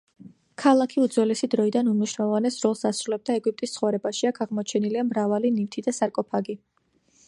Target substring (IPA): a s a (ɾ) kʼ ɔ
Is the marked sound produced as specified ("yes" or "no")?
yes